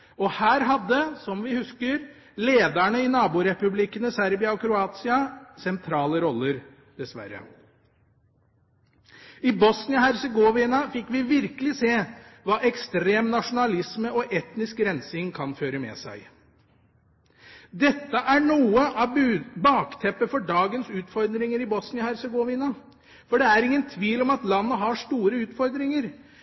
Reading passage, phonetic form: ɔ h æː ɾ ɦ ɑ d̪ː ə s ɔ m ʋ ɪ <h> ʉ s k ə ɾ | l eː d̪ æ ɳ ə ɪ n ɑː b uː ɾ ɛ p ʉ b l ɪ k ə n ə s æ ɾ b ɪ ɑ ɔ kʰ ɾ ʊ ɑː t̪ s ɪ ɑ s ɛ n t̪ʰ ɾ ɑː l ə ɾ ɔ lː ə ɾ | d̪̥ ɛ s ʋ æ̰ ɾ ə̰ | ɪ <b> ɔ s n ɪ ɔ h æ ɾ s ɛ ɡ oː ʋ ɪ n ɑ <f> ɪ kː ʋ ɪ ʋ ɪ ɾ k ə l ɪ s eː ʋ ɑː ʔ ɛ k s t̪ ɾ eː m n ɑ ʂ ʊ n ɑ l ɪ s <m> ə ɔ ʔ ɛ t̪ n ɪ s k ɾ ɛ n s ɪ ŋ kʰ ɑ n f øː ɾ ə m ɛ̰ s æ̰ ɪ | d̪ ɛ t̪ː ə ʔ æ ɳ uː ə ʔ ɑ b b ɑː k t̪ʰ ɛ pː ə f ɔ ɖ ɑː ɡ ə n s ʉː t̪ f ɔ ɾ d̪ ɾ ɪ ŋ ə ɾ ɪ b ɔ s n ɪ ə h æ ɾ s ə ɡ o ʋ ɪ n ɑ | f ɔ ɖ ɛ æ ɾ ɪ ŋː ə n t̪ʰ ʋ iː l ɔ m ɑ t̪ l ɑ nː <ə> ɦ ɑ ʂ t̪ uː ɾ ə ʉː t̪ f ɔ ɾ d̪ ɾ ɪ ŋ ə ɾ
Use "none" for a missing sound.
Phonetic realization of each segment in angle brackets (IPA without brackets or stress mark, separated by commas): h, b, f, m, ə